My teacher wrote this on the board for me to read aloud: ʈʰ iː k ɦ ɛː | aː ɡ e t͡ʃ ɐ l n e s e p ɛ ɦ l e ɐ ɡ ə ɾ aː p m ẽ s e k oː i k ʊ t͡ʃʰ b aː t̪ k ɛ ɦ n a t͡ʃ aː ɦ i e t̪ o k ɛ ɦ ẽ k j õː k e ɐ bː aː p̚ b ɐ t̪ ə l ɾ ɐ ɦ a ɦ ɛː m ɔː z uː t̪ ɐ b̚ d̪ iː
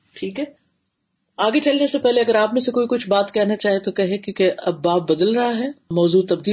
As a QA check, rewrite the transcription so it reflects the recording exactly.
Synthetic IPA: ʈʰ iː k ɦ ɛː | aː ɡ e t͡ʃ ɐ l n e s e p ɛ ɦ l e ɐ ɡ ə ɾ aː p m ẽ s e k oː i k ʊ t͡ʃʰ b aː t̪ k ɛ ɦ n a t͡ʃ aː ɦ i e t̪ o k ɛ ɦ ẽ k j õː k e ɐ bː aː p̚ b ɐ d̪ ə l ɾ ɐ ɦ a ɦ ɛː m ɔː z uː t̪ ɐ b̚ d̪ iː